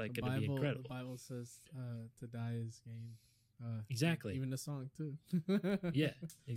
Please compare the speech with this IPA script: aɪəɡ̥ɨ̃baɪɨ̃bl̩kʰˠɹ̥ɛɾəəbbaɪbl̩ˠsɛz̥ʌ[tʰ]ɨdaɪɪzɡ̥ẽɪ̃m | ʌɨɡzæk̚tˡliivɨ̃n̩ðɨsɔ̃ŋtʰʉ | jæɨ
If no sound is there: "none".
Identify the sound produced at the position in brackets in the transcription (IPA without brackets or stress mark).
tʰ